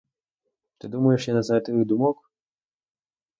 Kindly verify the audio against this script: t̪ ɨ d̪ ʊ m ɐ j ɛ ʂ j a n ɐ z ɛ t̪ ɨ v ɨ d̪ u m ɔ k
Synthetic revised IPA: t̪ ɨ d̪ u m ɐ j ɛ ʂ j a n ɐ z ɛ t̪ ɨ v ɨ d̪ u m ɔ k